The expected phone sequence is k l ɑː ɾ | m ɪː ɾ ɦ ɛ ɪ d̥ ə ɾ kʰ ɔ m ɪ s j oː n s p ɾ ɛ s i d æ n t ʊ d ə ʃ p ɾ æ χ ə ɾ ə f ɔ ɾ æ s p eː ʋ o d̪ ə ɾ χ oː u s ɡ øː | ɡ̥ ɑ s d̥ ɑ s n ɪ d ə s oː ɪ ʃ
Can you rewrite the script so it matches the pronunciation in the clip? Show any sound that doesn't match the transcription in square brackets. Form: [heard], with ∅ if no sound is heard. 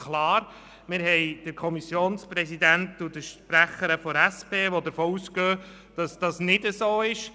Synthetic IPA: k l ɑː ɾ | m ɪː ɾ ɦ ɛ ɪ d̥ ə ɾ kʰ ɔ m [i] s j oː n s p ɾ ɛ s i d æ n t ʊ d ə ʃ p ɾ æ χ ə ɾ ə f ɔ ɾ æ s p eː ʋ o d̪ ə ɾ [f] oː u s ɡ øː | [d̥] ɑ s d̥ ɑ s n ɪ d ə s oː ɪ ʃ

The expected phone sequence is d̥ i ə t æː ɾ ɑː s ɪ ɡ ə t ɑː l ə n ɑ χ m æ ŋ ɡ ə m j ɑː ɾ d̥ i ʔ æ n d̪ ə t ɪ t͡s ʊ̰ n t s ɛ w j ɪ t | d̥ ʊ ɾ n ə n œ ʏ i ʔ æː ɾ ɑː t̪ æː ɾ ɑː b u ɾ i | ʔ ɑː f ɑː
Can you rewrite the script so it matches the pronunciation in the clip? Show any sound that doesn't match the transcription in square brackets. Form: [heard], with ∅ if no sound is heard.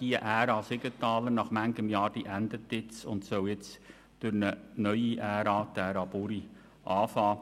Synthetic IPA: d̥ i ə [ʔ] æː ɾ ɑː s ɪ ɡ ə t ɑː l ə n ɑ χ m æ ŋ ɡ ə m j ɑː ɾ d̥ i ʔ æ n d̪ ə t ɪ t͡s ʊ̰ n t s [œ] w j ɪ [t͡s] | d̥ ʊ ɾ n ə n œ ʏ i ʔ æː ɾ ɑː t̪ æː ɾ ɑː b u ɾ i | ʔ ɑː f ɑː

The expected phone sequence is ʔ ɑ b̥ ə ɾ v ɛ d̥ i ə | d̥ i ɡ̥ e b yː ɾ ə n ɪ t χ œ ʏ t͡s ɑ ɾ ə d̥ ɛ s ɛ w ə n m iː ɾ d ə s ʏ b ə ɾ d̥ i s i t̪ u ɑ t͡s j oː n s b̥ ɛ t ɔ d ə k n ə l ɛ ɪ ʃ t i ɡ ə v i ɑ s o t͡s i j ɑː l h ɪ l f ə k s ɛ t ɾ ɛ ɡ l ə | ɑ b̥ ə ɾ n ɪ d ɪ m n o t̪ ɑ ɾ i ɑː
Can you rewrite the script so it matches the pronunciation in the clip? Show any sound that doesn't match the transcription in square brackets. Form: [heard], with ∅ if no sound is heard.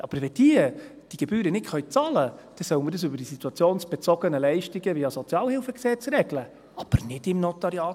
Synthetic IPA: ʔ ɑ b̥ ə ɾ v ɛ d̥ i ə | d̥ i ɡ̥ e b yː ɾ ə n ɪ t χ œ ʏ t͡s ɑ [l] ə d̥ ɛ s [œ] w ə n m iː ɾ d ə s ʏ b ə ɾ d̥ i s i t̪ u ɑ t͡s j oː n s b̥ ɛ [t͡s] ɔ [ɡ] ə [∅] n ə l ɛ ɪ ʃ t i ɡ ə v i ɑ s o t͡s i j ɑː l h ɪ l f ə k s ɛ [t͡s] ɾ ɛ ɡ l ə | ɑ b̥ ə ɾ n ɪ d ɪ m n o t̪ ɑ ɾ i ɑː

